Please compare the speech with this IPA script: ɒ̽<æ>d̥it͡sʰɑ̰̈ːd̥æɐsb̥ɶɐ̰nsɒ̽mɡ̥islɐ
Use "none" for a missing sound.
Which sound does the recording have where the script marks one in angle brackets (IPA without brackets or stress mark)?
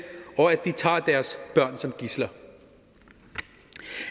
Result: æ